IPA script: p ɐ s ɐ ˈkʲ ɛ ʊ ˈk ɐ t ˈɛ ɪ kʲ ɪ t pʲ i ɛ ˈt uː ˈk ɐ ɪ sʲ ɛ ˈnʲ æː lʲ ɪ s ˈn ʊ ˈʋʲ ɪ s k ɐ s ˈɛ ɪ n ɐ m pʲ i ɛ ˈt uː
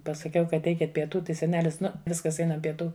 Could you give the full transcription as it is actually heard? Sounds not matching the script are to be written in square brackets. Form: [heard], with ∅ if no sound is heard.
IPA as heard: p ɐ s ɐ ˈkʲ ɛ ʊ ˈk ɐ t ˈɛ ɪ kʲ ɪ t pʲ i ɛ ˈt uː [ˈt] ɐ ɪ sʲ ɛ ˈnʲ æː lʲ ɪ s ˈn ʊ ˈʋʲ ɪ s k ɐ s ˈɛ ɪ n ɐ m pʲ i ɛ ˈt uː